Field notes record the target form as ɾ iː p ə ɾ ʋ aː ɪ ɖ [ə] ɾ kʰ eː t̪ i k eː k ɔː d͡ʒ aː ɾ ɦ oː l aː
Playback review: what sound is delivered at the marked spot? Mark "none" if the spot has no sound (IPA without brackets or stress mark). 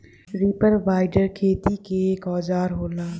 ə